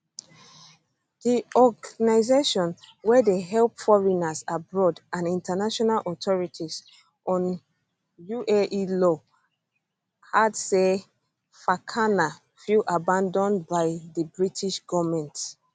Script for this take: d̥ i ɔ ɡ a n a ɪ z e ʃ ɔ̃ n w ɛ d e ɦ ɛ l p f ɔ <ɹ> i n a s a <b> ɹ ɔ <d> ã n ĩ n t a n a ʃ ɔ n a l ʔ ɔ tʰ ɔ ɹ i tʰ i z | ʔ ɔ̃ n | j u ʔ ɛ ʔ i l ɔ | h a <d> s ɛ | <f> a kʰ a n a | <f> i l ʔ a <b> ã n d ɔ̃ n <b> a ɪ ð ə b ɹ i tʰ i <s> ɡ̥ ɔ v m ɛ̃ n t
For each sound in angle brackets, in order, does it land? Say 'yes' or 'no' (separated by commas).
yes, yes, yes, yes, yes, yes, yes, yes, no